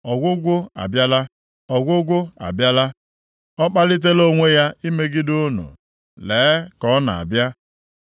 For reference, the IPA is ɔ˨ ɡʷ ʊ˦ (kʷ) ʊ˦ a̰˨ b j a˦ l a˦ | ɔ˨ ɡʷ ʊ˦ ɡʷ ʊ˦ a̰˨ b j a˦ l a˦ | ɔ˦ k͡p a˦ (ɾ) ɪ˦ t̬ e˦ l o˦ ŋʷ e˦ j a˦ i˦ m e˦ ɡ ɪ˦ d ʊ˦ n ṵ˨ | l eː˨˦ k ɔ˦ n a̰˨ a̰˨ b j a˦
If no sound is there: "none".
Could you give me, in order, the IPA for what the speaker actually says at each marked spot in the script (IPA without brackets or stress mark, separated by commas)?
ɡʷ, l